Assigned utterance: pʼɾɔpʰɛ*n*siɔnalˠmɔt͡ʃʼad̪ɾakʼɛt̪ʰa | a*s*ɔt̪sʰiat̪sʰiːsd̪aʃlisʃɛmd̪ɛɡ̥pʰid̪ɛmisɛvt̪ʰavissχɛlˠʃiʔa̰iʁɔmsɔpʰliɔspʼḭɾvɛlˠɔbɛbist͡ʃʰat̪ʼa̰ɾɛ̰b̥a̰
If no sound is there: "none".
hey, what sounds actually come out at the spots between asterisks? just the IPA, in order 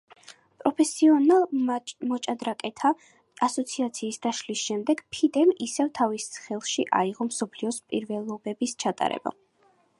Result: none, s

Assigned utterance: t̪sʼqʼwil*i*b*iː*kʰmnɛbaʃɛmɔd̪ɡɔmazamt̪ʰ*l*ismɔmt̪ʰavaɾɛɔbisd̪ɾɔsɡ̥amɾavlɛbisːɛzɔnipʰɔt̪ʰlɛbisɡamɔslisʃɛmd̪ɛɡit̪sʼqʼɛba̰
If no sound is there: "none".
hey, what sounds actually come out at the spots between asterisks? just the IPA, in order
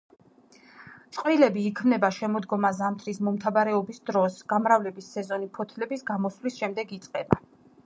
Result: ɛ, iː, ɾ

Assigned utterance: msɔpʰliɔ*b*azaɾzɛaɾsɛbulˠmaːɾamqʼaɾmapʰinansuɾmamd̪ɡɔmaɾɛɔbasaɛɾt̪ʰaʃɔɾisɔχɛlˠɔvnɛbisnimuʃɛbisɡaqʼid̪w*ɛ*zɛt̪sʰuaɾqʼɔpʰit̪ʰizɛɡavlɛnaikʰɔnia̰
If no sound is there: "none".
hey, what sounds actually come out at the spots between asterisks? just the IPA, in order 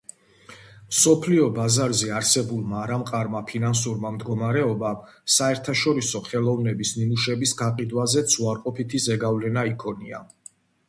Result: b, a

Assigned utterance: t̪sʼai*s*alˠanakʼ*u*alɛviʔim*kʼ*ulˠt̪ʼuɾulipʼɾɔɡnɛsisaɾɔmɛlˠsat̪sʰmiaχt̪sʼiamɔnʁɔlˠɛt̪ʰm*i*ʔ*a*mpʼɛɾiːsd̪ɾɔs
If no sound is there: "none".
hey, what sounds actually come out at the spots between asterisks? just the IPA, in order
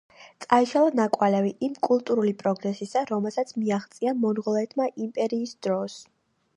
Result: ʃ, w, kʼ, a, i

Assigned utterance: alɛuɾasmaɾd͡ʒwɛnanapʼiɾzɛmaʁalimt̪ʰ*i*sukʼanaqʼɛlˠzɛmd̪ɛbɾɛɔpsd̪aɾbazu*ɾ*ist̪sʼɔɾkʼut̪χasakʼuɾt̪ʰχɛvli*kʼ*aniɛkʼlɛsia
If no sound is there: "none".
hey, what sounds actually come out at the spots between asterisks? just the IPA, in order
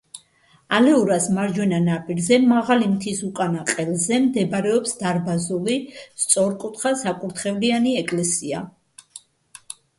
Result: i, l, none

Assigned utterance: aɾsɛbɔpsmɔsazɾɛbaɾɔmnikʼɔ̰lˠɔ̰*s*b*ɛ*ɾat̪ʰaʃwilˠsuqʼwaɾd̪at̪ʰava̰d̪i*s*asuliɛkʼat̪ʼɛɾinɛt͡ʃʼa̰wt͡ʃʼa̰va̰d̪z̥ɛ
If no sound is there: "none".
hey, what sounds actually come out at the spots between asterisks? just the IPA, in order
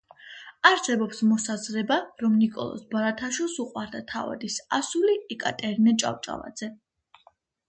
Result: s, a, s

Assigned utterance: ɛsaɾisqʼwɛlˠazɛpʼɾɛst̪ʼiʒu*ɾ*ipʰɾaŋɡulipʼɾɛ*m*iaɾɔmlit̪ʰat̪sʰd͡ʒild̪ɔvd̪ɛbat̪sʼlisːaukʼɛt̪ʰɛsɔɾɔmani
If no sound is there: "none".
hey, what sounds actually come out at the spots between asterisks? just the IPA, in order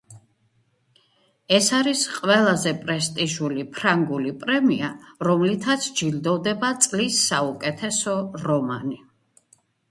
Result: l, m

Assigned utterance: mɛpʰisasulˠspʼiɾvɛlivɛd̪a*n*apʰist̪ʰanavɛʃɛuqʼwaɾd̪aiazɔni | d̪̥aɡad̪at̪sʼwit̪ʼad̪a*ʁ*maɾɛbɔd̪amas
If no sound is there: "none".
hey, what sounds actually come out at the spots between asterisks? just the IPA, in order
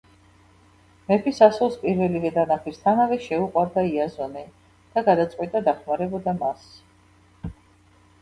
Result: n, χ

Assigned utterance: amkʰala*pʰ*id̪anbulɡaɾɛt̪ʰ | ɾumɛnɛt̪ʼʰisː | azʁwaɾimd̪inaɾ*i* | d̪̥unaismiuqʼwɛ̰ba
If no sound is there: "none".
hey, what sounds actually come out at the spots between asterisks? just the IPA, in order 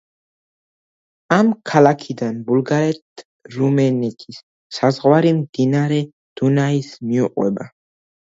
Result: kʰ, ɛ

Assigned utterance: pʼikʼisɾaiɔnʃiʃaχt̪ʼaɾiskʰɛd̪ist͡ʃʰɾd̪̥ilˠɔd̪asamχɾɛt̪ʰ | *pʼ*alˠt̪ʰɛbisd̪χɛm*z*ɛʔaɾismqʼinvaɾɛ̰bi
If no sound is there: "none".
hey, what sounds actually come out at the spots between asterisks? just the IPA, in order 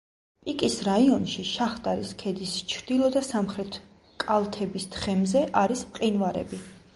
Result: kʼ, z

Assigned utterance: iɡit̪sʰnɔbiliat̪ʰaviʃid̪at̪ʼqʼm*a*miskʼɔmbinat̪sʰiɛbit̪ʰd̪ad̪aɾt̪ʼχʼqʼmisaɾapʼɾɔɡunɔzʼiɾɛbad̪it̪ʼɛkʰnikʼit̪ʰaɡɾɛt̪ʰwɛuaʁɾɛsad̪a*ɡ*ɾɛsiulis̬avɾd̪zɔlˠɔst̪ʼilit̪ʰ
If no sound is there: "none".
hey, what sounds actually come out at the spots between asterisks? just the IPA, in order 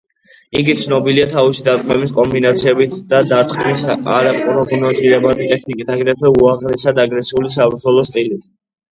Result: ɛ, ɡ

